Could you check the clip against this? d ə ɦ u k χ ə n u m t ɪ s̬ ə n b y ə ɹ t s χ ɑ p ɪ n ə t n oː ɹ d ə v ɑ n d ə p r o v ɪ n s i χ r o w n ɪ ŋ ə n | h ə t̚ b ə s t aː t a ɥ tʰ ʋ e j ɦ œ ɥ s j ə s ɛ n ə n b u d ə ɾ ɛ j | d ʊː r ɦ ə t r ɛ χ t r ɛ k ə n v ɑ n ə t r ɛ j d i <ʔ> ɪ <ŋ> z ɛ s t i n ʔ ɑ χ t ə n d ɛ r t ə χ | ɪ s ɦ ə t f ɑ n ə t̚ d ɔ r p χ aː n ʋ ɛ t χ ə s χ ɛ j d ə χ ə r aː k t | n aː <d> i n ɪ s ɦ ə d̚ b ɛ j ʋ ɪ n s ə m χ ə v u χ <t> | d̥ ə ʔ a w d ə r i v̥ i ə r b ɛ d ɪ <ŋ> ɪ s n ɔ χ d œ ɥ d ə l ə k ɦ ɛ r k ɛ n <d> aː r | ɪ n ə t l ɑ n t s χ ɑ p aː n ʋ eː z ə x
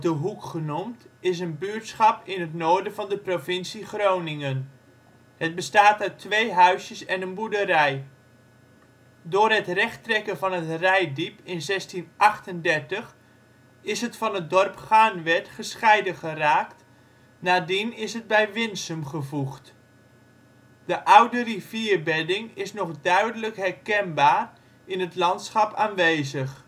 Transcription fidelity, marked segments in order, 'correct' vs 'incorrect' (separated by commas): incorrect, incorrect, correct, correct, correct, incorrect